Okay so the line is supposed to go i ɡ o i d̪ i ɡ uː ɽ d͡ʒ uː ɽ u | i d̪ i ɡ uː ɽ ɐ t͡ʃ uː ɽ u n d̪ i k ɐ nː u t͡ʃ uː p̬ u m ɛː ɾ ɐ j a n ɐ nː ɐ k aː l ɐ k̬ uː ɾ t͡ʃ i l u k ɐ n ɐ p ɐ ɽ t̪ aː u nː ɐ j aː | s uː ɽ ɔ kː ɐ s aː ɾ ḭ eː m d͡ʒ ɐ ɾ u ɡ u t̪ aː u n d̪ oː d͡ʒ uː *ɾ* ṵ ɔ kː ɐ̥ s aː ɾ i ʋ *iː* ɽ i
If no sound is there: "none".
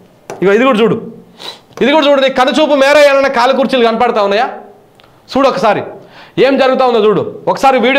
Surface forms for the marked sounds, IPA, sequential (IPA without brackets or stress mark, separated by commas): ɽ, iː